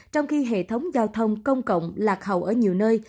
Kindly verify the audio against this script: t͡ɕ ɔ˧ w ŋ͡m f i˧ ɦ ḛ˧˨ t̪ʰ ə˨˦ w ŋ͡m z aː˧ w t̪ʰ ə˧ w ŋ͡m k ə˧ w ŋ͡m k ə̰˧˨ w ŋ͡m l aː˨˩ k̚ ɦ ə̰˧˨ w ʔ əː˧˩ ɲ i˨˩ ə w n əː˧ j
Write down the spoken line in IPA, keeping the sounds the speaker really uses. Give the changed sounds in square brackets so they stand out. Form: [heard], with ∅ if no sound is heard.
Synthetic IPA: t͡ɕ ɔ˧ w ŋ͡m [x] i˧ ɦ ḛ˧˨ t̪ʰ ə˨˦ w ŋ͡m z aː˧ w t̪ʰ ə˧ w ŋ͡m k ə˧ w ŋ͡m k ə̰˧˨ w ŋ͡m l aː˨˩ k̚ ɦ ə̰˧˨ w ʔ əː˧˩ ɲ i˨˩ ə w n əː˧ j